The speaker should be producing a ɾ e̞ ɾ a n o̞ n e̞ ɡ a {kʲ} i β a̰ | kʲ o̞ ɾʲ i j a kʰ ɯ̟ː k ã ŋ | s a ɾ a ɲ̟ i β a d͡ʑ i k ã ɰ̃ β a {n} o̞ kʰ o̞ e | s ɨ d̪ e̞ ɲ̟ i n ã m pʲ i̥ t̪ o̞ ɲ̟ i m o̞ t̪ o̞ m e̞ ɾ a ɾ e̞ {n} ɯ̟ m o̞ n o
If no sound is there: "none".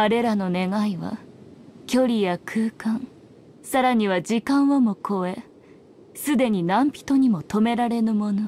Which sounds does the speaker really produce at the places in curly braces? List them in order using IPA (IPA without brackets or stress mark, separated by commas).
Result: none, m, n